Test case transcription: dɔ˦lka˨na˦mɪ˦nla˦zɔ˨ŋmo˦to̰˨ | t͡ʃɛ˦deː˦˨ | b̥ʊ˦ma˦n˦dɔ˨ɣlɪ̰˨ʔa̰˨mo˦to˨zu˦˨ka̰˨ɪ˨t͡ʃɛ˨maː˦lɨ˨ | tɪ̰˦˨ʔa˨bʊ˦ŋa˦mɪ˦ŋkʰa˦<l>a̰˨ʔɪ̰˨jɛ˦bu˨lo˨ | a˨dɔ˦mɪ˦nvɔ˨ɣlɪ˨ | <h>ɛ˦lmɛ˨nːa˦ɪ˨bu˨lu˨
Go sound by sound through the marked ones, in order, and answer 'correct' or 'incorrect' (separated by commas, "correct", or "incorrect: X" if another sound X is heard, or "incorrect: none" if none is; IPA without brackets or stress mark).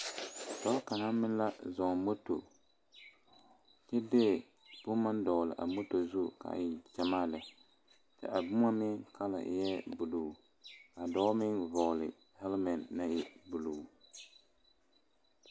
correct, correct